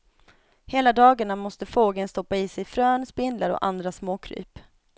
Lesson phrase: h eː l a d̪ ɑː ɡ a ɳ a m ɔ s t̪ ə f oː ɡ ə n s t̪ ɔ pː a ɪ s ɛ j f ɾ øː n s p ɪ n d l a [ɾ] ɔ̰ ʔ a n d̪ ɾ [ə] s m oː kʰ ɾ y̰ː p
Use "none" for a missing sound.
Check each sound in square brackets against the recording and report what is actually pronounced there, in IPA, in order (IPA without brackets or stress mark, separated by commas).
ɾ, a